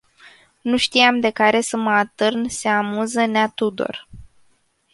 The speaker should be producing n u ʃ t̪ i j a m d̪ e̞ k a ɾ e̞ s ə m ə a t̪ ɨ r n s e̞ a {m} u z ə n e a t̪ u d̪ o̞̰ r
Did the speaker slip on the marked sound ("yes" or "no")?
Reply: no